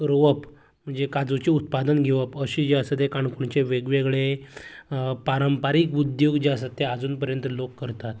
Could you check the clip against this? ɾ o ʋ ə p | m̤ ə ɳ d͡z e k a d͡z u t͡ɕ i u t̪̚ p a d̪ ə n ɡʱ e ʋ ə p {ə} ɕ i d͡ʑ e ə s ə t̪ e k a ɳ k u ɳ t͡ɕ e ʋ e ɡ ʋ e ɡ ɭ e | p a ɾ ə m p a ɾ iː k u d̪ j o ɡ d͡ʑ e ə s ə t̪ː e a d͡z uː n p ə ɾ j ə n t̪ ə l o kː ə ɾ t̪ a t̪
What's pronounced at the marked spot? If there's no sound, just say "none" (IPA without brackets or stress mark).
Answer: ə